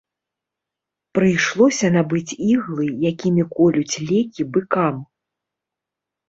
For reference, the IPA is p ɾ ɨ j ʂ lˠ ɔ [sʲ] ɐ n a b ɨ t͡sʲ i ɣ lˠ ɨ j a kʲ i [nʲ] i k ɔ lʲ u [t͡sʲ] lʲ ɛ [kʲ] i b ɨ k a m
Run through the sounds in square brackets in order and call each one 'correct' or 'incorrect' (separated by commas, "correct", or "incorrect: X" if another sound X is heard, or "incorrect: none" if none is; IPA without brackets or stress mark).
correct, incorrect: mʲ, correct, correct